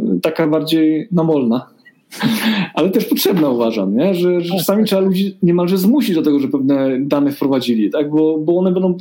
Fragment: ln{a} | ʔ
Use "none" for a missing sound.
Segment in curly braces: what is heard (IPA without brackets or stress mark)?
a